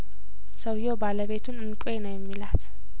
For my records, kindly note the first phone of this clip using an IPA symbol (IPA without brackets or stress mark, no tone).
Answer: s